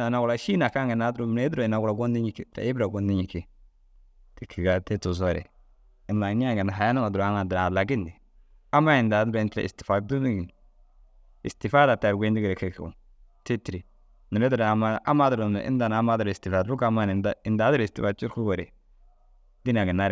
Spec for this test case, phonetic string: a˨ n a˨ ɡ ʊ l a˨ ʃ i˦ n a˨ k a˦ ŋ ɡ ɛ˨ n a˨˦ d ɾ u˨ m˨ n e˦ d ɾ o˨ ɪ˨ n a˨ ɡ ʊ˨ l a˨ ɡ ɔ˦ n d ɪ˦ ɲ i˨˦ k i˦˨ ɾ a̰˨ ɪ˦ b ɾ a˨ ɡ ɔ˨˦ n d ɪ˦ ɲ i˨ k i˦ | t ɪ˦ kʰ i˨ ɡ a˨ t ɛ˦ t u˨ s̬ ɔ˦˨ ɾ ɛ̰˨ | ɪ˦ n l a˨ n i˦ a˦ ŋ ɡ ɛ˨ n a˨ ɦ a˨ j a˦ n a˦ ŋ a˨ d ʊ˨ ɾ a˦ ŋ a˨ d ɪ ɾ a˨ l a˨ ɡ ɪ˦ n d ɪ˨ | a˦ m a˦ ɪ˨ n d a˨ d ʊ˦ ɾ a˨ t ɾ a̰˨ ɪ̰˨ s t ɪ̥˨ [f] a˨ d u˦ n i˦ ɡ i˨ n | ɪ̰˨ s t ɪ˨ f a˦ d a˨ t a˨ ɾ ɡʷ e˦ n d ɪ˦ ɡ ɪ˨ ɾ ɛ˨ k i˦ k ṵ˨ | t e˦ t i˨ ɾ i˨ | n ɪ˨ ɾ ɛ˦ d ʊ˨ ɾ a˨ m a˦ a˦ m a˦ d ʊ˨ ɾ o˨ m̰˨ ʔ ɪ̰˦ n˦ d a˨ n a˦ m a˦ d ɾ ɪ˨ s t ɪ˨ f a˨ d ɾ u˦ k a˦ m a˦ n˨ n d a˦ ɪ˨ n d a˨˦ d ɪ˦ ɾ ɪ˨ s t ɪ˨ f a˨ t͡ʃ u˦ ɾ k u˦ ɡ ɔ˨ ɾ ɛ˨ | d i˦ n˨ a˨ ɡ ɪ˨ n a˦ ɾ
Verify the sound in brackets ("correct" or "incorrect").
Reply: correct